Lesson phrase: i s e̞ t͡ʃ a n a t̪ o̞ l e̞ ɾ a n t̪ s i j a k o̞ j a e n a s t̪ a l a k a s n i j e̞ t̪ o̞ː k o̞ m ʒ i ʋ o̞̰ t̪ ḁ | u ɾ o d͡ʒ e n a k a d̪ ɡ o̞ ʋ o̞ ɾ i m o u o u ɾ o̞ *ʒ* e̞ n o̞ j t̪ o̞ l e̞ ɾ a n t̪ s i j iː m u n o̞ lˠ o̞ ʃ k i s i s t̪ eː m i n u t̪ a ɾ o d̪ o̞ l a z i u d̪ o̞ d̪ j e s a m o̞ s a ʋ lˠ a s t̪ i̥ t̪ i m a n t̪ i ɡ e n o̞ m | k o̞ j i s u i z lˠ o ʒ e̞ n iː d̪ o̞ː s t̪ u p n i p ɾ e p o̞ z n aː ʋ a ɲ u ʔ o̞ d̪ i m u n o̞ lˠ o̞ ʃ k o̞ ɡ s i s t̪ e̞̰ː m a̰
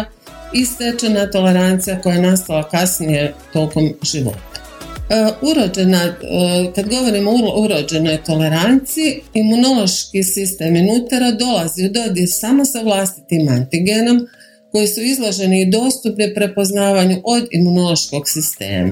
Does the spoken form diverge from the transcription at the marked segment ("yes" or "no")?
yes